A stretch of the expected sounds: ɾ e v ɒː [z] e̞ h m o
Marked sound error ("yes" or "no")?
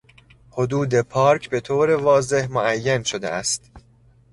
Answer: no